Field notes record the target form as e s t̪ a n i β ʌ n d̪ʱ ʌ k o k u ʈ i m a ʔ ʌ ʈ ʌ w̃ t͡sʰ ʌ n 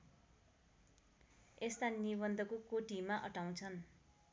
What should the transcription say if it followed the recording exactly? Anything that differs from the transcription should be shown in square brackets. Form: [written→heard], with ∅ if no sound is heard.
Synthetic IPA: e s t̪ a n i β ʌ n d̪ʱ ʌ k o k [u→o] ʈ i m a ʔ ʌ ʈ [ʌ→a] w̃ t͡sʰ ʌ n